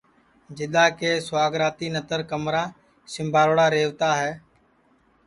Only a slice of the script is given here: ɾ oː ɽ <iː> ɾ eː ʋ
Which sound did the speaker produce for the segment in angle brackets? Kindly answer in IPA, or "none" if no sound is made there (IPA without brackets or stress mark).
aː